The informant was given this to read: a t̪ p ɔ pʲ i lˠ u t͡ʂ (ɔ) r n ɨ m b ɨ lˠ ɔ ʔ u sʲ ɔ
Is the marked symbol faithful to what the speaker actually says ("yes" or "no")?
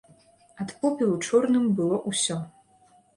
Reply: yes